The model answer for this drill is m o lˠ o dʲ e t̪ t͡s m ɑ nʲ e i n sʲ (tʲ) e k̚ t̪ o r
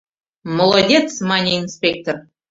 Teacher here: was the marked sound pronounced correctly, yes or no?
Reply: no